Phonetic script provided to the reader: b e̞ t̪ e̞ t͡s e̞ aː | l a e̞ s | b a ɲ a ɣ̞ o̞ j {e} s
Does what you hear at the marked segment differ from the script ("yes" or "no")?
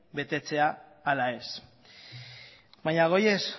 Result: no